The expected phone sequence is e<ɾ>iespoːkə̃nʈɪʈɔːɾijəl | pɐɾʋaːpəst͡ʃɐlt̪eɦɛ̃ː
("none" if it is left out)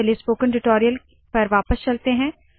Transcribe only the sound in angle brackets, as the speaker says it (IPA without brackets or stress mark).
l